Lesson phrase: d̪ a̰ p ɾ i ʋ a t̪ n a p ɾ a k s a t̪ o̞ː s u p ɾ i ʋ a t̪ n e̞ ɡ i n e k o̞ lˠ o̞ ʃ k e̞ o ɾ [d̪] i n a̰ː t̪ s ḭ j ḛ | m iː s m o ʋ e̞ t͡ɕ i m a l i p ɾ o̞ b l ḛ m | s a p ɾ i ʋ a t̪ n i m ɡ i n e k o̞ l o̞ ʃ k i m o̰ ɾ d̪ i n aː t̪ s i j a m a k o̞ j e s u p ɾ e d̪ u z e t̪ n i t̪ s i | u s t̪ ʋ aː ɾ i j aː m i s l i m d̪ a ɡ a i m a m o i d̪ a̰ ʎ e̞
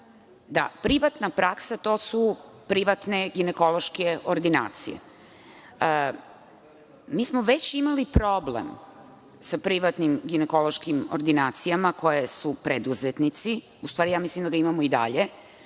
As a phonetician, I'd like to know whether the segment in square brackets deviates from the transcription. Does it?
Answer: no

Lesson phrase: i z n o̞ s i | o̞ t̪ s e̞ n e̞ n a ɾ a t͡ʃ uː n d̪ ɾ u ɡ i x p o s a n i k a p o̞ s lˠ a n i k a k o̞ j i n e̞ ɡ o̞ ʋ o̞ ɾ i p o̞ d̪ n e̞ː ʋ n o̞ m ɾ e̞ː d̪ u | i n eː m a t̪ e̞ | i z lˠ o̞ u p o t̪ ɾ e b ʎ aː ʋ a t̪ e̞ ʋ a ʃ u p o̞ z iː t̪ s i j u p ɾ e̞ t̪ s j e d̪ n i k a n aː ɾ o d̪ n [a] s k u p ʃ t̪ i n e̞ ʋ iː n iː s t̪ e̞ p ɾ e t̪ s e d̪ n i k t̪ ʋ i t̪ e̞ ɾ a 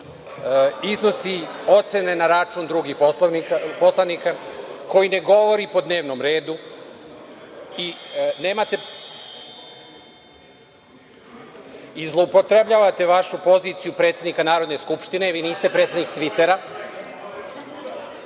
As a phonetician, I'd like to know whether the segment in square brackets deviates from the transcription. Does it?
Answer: yes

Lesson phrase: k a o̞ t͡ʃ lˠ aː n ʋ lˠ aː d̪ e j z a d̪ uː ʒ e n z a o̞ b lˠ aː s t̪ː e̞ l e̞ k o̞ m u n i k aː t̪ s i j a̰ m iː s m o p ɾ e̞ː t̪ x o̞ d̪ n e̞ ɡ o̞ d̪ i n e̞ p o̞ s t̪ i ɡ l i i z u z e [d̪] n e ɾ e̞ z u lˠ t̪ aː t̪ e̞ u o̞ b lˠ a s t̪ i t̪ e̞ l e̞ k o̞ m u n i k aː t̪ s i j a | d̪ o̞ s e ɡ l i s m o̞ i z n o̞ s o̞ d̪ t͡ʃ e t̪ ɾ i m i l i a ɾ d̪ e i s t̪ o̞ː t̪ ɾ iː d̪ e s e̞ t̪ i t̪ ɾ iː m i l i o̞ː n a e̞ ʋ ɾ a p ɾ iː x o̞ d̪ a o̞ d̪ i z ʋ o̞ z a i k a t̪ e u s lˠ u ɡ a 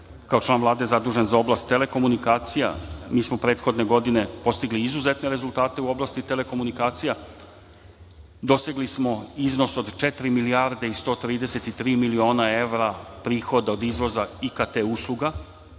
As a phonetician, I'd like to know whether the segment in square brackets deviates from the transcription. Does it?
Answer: yes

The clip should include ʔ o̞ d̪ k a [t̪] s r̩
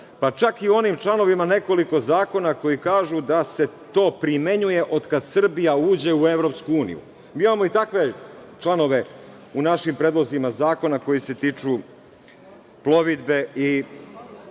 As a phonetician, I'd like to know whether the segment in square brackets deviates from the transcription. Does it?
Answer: yes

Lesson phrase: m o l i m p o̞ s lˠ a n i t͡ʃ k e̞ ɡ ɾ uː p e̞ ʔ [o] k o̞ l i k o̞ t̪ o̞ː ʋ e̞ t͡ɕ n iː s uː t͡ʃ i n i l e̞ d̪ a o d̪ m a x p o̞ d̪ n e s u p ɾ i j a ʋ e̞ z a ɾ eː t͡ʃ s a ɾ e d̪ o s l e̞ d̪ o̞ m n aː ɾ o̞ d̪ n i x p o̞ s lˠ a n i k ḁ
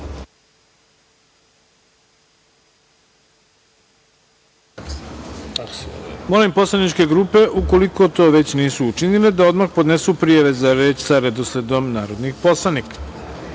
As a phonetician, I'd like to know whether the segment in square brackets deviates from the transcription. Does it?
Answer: yes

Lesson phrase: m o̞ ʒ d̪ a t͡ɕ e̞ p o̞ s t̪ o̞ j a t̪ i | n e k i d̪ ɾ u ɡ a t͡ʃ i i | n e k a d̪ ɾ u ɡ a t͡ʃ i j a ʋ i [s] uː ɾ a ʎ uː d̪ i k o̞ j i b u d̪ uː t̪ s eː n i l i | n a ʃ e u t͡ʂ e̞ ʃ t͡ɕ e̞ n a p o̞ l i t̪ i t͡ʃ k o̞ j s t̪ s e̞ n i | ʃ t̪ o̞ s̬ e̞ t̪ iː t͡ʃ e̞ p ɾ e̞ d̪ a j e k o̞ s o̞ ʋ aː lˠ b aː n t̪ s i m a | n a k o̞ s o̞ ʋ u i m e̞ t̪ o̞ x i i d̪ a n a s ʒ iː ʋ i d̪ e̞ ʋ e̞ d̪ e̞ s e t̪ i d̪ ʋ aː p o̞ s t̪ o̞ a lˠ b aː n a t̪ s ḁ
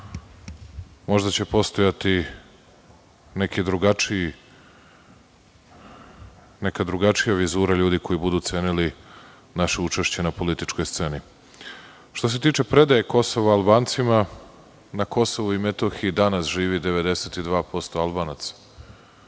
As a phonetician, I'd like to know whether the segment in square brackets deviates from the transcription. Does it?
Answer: yes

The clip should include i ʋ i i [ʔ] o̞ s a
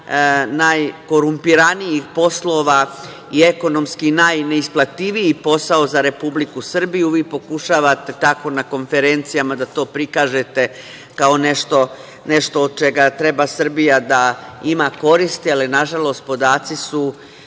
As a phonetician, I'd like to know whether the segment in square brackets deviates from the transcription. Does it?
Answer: yes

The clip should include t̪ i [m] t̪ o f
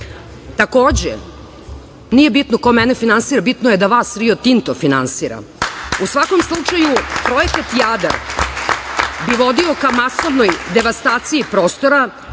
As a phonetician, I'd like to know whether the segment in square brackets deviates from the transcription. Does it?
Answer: yes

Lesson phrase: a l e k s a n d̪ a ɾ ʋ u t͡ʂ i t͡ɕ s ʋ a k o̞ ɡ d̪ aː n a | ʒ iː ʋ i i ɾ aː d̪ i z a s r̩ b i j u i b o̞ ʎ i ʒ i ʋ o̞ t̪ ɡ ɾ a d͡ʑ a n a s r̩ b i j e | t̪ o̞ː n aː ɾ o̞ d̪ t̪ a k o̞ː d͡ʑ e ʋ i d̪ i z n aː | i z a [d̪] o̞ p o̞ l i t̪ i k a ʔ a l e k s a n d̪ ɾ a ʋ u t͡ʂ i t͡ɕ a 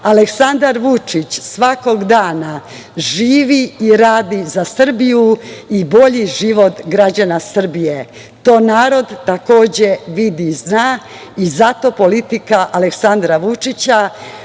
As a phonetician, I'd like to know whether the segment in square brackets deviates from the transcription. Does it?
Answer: yes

